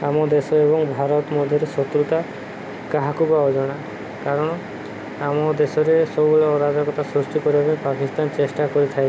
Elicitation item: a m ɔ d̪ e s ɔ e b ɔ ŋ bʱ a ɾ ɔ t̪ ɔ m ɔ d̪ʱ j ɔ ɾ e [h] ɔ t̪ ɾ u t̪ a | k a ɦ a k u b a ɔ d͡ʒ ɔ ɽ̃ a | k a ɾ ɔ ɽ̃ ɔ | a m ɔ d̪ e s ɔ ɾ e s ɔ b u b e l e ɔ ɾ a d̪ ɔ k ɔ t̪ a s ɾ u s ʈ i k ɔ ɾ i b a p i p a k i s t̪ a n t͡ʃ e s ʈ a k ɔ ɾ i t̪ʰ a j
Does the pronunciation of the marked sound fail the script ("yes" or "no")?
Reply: yes